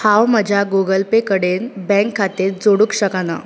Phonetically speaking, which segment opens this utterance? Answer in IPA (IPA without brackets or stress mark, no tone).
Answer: h